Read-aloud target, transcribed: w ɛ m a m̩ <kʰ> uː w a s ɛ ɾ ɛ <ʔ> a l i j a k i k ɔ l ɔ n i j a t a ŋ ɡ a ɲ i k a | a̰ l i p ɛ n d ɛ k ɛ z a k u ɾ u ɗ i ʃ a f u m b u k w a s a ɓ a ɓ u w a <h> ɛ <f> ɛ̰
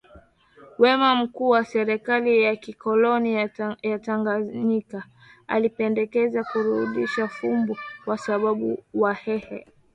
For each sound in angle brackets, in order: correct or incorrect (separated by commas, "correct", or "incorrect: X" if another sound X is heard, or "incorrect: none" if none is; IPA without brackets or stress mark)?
incorrect: k, incorrect: k, correct, incorrect: h